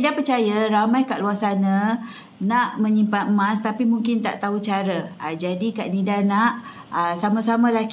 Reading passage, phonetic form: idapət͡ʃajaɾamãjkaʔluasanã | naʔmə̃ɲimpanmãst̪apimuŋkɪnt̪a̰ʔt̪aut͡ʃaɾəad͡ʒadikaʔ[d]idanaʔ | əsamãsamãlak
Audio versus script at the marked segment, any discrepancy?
yes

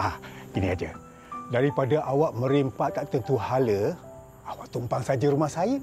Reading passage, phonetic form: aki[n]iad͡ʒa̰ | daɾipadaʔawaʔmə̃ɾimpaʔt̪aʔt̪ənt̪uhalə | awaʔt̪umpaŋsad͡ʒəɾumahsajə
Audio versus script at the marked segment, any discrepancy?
no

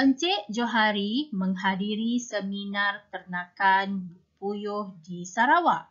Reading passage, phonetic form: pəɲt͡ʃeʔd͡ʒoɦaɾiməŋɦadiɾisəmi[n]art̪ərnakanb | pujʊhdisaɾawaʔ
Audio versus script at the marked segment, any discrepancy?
no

